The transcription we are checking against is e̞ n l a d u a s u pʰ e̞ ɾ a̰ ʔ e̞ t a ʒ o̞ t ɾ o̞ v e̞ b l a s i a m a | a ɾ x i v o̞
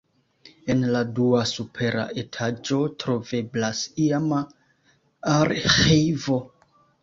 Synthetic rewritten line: e̞ n l a d u a s u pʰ e̞ ɾ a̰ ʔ e̞ tʰ a d͡ʒ o̞ t ɾ o̞ v e̞ b l a s i a m a | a ɾ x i v o̞